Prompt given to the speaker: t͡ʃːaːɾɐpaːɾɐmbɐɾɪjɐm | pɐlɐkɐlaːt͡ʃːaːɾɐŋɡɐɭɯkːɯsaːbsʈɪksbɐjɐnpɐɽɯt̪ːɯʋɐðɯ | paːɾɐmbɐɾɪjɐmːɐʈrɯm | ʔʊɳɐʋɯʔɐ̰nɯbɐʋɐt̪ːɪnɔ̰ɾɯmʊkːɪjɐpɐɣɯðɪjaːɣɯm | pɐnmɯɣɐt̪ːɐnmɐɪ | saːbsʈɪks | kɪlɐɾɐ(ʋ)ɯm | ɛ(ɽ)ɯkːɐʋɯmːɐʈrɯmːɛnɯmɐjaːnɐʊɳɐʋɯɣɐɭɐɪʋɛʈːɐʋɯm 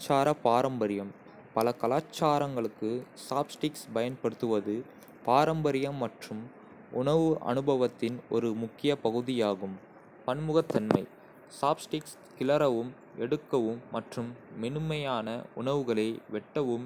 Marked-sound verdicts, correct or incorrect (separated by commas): correct, correct